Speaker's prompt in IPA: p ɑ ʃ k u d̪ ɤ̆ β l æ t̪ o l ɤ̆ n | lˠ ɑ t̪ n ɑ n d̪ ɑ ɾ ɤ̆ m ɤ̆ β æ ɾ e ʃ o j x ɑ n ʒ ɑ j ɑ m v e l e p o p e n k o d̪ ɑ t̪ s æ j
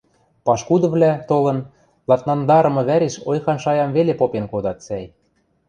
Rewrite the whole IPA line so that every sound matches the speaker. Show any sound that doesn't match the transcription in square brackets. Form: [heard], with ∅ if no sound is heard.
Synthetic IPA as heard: p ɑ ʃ k u d̪ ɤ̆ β l æ t̪ o l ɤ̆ n | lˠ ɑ t̪ n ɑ n d̪ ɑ ɾ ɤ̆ m ɤ̆ β æ ɾ e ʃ o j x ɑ n [ʃ] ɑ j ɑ m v e l e p o p e n k o d̪ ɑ t̪ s æ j